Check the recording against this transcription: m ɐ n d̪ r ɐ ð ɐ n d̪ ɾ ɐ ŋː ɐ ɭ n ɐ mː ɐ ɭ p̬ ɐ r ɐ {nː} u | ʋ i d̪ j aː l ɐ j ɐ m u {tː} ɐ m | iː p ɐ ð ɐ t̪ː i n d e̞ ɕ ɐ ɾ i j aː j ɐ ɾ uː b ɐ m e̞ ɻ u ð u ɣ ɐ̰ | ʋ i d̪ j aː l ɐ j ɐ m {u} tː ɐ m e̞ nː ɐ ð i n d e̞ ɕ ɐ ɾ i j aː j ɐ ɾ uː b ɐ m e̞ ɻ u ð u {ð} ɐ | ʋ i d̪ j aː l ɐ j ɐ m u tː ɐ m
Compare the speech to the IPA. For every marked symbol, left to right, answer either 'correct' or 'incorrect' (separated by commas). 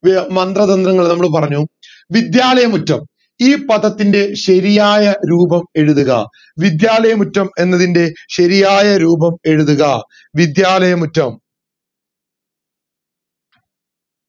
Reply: incorrect, correct, correct, incorrect